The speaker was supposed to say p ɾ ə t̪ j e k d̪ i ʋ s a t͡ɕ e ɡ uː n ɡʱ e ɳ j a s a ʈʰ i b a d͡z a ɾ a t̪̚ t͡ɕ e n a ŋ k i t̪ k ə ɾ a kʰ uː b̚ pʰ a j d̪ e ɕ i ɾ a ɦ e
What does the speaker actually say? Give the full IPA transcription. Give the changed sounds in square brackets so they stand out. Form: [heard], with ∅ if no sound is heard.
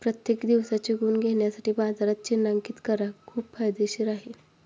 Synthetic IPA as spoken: p ɾ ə t̪ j e k d̪ i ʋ s a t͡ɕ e ɡ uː n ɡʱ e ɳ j a s a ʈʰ i b a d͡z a ɾ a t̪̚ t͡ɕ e n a ŋ k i t̪ k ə ɾ a kʰ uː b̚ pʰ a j d̪ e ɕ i ɾ a ɦ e